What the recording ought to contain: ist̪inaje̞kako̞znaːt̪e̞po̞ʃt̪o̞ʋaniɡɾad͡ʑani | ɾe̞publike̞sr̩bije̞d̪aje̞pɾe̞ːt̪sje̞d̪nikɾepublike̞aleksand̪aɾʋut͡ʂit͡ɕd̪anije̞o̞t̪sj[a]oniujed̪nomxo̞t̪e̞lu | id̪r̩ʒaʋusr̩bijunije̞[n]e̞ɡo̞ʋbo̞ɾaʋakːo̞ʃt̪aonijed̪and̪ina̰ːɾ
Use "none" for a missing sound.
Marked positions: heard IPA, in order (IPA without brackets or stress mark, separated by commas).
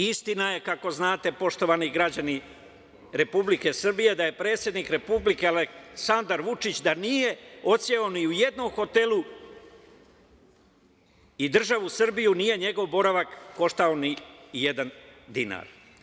e, ɲ